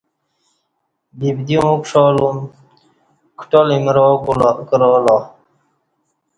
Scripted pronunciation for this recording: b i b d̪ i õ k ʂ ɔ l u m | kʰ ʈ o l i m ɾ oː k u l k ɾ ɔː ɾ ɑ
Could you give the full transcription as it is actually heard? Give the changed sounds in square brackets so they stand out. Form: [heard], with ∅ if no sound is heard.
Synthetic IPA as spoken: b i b d̪ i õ k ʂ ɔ l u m | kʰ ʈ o l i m ɾ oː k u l k ɾ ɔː [l] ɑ